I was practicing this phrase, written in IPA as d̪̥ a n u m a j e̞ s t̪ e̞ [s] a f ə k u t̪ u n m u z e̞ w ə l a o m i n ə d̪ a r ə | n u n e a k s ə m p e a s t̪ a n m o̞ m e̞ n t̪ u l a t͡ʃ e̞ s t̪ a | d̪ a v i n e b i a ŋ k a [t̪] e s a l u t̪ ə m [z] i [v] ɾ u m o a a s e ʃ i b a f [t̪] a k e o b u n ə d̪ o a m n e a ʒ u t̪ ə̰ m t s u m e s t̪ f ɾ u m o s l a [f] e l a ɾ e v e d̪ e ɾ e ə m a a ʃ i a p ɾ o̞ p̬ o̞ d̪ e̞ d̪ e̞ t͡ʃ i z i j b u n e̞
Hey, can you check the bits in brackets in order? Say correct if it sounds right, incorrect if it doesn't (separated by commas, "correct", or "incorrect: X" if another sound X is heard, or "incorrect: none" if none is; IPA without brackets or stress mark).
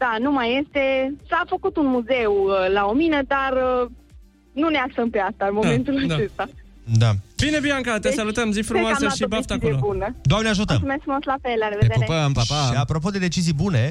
correct, correct, correct, incorrect: f, correct, correct